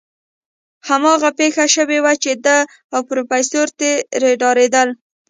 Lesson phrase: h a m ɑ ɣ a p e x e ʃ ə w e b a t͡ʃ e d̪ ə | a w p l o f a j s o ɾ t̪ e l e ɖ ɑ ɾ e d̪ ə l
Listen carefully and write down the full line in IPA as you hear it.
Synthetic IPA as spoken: h a m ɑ ɣ a p e x a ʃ ə w e w a t͡ʃ e d̪ ə | a w p ɾ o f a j s o ɾ t̪ e ɾ e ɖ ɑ ɾ e d̪ ə l